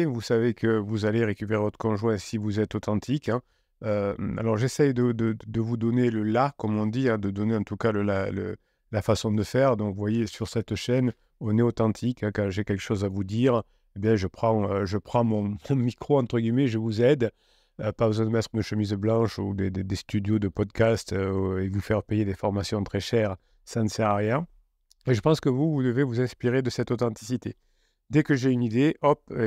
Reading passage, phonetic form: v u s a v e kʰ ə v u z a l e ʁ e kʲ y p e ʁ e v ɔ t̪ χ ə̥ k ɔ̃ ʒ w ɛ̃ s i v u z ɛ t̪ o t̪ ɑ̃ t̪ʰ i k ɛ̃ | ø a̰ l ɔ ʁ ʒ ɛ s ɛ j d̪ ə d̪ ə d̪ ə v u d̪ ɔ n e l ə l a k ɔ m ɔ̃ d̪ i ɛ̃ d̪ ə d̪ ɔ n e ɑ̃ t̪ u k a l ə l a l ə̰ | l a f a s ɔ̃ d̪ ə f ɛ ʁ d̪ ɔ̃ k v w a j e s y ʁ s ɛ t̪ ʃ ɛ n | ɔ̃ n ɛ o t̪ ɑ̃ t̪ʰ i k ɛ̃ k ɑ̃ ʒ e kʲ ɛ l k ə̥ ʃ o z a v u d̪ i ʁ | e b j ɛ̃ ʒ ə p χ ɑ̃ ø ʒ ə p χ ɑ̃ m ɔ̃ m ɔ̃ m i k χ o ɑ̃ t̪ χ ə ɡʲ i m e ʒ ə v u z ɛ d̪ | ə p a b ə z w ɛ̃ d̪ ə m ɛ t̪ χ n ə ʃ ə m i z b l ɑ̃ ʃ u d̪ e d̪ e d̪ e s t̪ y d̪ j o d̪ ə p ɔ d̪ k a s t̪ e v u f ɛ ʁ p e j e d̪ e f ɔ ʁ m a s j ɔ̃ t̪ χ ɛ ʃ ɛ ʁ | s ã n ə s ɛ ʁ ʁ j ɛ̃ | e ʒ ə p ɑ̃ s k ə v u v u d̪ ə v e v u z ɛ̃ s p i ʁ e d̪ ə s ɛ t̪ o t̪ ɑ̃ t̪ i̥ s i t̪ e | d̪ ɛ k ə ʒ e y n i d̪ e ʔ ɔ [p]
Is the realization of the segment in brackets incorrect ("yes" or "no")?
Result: no